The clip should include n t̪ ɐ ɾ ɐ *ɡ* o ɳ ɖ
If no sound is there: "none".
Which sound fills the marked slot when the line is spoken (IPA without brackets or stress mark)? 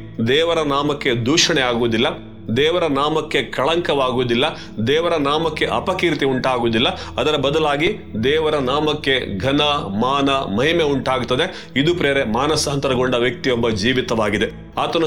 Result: ɡ